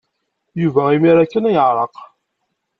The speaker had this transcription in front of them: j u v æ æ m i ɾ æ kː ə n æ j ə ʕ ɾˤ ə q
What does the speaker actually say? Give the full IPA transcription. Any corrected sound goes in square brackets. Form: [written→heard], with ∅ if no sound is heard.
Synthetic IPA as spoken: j u v æ [æ→i] m i ɾ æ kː ə n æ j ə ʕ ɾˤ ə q